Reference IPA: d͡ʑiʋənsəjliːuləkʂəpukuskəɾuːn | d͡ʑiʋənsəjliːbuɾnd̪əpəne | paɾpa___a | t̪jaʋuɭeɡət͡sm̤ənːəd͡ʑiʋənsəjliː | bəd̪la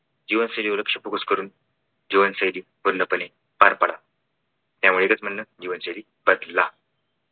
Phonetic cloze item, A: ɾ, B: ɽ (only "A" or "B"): B